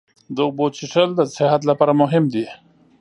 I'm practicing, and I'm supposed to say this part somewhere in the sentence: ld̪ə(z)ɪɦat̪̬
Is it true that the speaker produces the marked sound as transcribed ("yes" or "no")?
no